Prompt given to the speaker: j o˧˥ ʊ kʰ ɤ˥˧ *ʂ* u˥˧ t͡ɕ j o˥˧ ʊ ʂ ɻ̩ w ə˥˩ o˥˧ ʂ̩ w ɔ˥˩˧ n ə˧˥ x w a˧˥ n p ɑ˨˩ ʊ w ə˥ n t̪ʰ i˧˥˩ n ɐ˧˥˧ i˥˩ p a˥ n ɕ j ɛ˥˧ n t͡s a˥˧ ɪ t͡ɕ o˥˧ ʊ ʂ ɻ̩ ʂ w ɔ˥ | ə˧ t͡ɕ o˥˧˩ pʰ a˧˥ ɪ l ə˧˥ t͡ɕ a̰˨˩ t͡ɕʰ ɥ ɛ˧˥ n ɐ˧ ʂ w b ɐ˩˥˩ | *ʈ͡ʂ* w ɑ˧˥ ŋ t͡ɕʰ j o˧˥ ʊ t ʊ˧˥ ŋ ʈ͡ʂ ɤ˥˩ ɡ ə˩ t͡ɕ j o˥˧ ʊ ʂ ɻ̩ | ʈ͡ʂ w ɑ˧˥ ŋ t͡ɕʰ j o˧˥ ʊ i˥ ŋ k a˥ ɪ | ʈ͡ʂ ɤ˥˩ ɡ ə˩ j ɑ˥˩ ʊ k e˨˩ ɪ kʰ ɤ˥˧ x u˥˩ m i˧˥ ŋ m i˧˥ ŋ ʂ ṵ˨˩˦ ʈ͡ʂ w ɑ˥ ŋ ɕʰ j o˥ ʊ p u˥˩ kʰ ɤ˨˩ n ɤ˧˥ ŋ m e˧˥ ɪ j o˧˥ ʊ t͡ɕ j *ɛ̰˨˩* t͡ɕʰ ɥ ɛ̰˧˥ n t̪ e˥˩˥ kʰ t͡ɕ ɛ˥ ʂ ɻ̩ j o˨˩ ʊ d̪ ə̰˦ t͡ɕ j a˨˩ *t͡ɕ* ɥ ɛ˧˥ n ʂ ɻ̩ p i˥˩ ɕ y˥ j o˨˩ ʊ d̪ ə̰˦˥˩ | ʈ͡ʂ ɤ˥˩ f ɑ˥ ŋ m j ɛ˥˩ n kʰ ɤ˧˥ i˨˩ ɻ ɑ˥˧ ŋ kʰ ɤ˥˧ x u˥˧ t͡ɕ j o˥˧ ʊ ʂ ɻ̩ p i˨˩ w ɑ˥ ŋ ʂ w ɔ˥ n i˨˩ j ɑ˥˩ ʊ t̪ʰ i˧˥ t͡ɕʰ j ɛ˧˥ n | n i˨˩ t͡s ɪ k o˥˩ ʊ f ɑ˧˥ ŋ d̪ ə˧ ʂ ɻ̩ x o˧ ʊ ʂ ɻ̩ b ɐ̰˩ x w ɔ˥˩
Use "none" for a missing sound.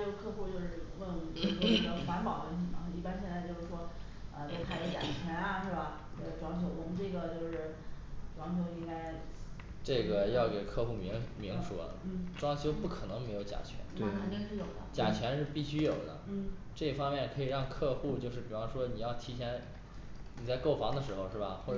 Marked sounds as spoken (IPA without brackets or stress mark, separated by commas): x, ʈ͡ʂ, a̰˨˩, t͡ɕʰ